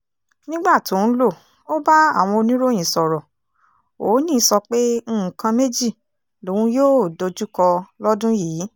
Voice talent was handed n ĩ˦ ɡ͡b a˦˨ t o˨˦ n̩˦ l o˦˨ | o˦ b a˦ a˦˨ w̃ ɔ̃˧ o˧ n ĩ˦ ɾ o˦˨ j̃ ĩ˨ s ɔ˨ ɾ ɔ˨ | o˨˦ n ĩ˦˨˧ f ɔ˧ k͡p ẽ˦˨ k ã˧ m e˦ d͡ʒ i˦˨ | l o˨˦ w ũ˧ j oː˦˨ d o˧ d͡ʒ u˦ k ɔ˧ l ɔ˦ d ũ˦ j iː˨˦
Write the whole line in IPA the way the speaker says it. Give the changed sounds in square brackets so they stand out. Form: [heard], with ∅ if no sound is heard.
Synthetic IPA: n ĩ˦ ɡ͡b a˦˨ t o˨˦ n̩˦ l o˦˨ | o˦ b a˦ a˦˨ w̃ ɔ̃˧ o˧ n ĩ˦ ɾ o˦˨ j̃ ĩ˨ s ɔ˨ ɾ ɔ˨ | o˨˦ n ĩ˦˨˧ [s] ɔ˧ k͡p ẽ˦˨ k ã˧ m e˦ d͡ʒ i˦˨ | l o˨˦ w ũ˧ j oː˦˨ d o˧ d͡ʒ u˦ k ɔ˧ l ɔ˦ d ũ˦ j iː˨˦